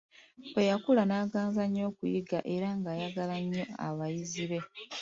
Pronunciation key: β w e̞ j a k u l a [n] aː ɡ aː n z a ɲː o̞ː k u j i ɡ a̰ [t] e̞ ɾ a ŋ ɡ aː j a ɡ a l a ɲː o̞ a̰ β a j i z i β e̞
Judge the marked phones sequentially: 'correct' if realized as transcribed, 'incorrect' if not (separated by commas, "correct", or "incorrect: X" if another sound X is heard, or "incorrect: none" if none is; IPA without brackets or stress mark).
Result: correct, incorrect: ʔ